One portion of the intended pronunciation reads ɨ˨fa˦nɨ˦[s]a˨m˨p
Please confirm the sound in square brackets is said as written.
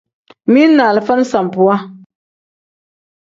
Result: yes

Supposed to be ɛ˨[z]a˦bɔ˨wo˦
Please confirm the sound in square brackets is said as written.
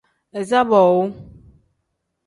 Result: yes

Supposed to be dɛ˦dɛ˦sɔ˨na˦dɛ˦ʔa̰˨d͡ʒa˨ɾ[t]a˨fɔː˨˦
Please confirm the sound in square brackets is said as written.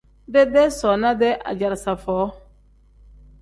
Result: no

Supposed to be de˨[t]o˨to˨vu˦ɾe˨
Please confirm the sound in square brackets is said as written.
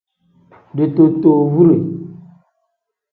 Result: yes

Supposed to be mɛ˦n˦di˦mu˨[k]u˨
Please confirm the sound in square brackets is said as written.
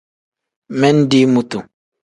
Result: no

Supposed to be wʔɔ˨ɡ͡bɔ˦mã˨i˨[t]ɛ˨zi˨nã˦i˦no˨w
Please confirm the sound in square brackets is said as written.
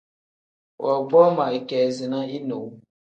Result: no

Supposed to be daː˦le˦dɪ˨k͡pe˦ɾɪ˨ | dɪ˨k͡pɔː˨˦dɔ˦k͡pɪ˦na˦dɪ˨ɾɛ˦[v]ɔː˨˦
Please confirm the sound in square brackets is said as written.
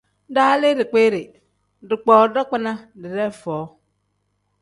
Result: no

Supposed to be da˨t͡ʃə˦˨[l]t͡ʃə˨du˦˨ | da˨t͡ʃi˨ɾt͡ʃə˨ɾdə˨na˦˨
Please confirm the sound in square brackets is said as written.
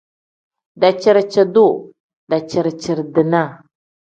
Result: no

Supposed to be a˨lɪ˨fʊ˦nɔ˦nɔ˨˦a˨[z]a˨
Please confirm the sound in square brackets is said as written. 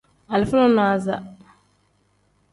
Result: yes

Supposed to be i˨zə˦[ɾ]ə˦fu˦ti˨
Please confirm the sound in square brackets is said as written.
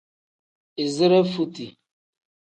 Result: yes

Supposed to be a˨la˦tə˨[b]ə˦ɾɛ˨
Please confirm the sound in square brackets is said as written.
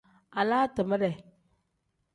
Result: no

